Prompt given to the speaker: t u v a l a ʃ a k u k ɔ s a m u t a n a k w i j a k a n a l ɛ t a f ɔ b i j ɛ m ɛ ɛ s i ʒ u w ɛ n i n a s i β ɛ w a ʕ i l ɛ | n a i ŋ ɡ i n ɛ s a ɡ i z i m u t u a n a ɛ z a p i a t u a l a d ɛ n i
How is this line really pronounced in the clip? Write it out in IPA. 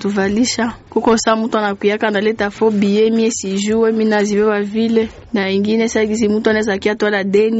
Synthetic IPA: t u v a l i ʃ a k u k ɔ s a m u t a n a k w i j a k a n a l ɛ t a f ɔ b i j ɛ m i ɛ s i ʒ u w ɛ m i n a z i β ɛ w a v i l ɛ | n a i ŋ ɡ i n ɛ s a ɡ i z i m u t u a n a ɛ z a k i a t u a l a d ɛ n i